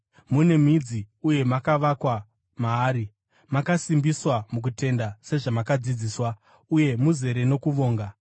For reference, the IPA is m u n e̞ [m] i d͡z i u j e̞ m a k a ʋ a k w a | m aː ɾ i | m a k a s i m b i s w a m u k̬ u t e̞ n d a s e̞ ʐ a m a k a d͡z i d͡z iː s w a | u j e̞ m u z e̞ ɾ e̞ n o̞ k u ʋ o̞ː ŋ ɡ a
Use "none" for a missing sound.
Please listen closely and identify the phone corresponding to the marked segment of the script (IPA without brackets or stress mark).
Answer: m